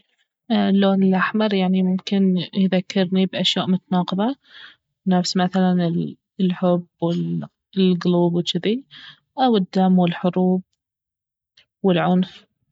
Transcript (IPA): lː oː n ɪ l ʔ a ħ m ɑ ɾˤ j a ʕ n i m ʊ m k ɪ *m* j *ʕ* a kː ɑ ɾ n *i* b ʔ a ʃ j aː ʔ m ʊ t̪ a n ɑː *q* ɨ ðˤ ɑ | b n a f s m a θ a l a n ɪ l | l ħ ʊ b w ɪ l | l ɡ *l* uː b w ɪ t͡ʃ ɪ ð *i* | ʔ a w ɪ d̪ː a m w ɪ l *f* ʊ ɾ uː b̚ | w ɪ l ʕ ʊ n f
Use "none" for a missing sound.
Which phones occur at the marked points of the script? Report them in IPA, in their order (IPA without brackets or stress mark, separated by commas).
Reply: n, ð, i, q, l, i, ħ